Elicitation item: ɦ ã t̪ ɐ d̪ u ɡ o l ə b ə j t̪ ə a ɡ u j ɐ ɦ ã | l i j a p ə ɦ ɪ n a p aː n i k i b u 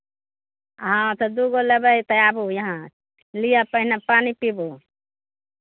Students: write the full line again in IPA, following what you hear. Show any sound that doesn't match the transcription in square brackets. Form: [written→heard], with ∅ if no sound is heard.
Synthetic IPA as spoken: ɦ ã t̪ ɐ d̪ u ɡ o l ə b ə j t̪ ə a [ɡ→b] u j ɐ ɦ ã | l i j a p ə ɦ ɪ n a p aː n i [k→p] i b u